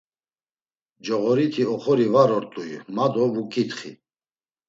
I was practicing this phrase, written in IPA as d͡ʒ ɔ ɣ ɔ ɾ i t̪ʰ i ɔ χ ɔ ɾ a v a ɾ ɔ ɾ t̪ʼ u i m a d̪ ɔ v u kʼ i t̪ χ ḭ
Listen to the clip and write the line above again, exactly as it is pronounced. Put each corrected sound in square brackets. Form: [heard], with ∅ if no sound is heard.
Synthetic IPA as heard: d͡ʒ ɔ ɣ ɔ ɾ i t̪ʰ i ɔ χ ɔ ɾ [i] v a ɾ ɔ ɾ t̪ʼ u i m a d̪ ɔ v u kʼ i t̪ χ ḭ

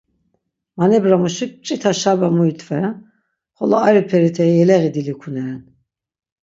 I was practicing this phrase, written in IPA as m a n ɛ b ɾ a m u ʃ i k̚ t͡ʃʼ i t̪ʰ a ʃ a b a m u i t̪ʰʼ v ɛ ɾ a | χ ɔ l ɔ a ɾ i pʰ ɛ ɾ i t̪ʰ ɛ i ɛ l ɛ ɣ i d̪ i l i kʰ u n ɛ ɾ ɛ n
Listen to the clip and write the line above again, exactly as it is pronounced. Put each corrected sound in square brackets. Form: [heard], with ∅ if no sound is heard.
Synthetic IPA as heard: m a n ɛ b ɾ a m u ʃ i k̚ t͡ʃʼ i t̪ʰ a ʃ a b a m u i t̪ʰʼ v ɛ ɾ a | χ ɔ l ɔ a ɾ i pʰ ɛ ɾ i t̪ʰ ɛ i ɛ l ɛ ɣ i d̪ i l i kʰ u n ɛ ɾ ɛ n

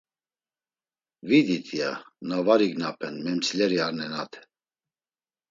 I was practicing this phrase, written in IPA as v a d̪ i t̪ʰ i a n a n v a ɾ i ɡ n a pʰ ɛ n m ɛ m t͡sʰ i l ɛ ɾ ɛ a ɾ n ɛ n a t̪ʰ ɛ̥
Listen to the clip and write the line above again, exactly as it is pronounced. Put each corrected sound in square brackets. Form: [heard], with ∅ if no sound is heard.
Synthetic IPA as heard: v [i] d̪ i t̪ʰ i a n a [∅] v a ɾ i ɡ n a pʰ ɛ n m ɛ m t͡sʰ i l ɛ ɾ [i] a ɾ n ɛ n a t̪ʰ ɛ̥

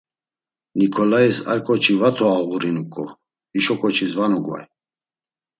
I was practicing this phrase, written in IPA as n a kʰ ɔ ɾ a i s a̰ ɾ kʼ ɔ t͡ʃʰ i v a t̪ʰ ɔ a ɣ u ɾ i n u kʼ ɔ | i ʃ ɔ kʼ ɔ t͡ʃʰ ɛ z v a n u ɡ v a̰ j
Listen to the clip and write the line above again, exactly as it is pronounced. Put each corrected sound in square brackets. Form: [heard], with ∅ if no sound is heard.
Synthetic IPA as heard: n [i] kʰ ɔ [l] a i s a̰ ɾ kʼ ɔ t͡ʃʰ i v a t̪ʰ ɔ a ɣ u ɾ i n u kʼ ɔ | i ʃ ɔ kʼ ɔ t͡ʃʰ [i] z v a n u ɡ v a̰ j

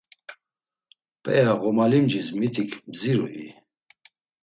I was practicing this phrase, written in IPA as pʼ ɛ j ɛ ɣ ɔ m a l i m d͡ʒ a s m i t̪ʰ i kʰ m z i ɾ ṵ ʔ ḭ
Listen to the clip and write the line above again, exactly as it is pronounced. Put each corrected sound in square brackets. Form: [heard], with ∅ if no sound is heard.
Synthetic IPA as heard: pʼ ɛ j [a] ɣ ɔ m a l i m d͡ʒ [i] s m i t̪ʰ i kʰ m z i ɾ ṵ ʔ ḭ

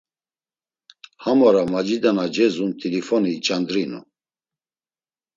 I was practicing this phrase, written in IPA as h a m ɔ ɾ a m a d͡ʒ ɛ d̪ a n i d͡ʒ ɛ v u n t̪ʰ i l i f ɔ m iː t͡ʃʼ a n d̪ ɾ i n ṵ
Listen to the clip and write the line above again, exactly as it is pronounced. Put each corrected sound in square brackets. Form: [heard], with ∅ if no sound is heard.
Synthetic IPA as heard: h a m ɔ ɾ a m a d͡ʒ [i] d̪ a n [a] d͡ʒ ɛ [z] u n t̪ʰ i l i f ɔ [n] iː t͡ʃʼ a n d̪ ɾ i n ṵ

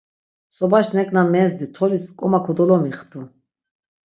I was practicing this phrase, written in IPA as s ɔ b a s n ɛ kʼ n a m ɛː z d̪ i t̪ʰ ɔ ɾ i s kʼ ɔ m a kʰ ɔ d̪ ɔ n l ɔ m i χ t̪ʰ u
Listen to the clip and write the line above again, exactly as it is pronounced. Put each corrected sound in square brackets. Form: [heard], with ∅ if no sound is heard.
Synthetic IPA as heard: s ɔ b a [ʃ] n ɛ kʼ n a m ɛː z d̪ i t̪ʰ ɔ [l] i s kʼ ɔ m a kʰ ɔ d̪ ɔ [∅] l ɔ m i χ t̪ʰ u

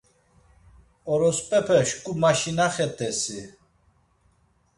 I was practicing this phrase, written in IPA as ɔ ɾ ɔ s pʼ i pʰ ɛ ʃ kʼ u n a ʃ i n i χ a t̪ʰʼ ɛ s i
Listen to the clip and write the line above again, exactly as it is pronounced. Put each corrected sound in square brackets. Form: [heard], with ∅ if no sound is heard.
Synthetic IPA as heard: ɔ ɾ ɔ s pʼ [ɛ] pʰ ɛ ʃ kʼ u [m] a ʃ i n [a] χ [ɛ] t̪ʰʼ ɛ s i

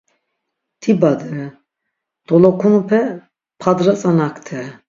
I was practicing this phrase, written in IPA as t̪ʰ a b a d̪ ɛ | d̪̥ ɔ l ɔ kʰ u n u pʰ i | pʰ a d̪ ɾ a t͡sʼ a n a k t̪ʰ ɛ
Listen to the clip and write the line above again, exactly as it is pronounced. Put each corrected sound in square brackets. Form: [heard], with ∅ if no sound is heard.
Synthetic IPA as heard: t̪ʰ [i] b a d̪ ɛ | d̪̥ ɔ l ɔ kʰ u n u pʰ [ɛ] | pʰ a d̪ ɾ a t͡sʼ a n a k t̪ʰ ɛ

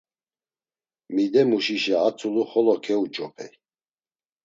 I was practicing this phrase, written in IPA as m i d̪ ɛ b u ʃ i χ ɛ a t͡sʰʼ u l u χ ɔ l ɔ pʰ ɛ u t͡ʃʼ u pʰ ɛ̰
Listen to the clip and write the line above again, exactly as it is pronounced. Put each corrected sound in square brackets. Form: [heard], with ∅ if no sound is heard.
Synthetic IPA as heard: m i d̪ ɛ [m] u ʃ i [ʃ] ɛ a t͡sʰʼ u l u χ ɔ l ɔ [kʰ] ɛ u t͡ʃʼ [ɔ] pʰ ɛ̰

